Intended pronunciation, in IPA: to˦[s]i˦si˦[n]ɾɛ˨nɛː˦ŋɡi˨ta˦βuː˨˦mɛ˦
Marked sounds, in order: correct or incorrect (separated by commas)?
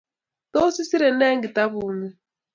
correct, incorrect